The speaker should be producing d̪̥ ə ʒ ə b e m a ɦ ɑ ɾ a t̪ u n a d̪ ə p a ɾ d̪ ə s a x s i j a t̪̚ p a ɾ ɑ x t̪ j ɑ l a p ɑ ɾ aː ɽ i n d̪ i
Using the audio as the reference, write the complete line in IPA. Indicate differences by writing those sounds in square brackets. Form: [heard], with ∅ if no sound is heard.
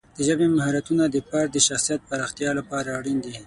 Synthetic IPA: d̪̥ ə ʒ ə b e m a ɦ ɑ ɾ a t̪ u n a d̪ ə p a ɾ d̪ ə [ʃ] a x s i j a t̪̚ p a ɾ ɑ x t̪ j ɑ l a p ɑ ɾ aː ɽ i n d̪ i